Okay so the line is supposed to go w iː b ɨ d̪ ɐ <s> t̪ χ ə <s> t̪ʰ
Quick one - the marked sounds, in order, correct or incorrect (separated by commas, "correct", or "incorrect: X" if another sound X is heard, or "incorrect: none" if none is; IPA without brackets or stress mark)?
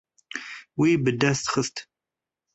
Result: correct, correct